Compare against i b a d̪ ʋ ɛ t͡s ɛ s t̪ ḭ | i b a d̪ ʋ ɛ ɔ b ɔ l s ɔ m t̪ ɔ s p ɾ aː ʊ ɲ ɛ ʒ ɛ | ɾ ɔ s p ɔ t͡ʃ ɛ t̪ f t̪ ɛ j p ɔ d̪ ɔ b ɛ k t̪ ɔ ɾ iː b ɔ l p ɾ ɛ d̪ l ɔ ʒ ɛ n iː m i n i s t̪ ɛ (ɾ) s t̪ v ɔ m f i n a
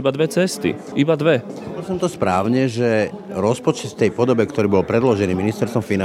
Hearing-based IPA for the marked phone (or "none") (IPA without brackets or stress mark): ɾ